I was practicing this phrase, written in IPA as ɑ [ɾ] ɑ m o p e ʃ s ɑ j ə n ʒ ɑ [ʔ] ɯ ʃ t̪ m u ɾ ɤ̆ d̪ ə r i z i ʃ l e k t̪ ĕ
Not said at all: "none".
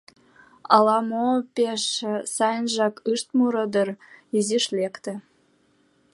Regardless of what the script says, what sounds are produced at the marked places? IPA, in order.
l, k

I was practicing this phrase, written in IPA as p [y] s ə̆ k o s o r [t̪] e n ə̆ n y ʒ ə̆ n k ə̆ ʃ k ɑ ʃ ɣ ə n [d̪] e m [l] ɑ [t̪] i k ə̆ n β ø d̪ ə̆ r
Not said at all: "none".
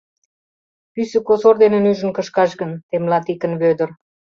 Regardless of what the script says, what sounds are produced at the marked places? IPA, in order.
y, d̪, t̪, l, t̪

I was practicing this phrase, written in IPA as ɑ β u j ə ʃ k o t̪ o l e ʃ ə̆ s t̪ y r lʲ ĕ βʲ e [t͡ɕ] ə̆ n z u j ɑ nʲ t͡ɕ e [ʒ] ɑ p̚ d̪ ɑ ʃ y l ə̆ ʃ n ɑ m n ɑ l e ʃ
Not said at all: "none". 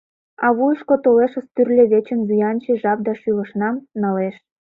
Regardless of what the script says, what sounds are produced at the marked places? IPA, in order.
t͡ɕ, ʒ

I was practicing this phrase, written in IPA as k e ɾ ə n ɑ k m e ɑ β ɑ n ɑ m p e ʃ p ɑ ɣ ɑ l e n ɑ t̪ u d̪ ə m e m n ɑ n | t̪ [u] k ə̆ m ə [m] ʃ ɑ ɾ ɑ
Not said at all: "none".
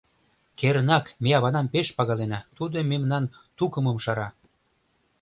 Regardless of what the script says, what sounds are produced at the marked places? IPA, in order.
u, m

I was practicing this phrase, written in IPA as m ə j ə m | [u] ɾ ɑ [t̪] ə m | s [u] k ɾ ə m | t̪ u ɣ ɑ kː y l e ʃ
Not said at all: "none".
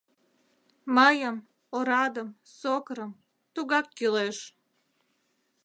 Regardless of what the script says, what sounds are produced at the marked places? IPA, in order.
o, d̪, o

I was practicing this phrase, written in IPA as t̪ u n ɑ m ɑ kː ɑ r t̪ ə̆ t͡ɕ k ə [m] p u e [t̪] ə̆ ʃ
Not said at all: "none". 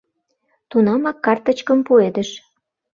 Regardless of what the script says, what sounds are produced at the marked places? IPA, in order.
m, d̪

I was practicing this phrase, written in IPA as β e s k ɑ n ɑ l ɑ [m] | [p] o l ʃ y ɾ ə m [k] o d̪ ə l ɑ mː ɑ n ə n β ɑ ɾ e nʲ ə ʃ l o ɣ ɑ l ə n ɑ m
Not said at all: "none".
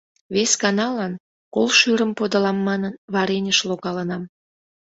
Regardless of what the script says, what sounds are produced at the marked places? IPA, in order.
n, k, p

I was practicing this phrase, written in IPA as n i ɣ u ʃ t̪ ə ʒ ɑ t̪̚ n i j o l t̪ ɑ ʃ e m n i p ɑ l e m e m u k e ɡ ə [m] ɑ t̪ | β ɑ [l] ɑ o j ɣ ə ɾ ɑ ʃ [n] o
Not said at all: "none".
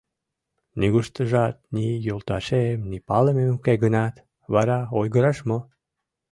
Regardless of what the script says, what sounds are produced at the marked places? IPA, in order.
n, ɾ, m

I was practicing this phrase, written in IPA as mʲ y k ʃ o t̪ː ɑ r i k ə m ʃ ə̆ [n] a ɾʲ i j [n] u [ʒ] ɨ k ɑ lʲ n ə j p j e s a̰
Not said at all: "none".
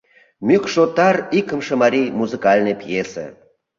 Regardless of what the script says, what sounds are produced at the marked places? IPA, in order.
m, m, z

